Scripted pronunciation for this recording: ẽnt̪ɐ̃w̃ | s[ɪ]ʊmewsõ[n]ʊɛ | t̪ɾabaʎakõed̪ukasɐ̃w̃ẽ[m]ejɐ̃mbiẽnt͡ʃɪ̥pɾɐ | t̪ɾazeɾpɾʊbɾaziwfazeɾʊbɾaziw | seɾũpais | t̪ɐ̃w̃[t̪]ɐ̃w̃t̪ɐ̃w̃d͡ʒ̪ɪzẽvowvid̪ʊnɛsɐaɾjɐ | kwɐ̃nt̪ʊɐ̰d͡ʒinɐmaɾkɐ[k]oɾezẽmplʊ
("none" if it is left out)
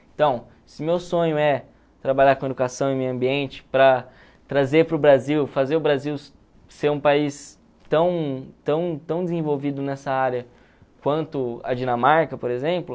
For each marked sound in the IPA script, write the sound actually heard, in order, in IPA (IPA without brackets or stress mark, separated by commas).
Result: ɪ, ɲ, m, t̪, p